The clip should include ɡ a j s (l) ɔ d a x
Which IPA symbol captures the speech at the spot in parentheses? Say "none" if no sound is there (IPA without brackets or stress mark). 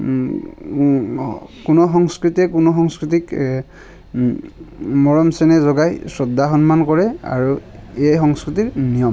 ɹ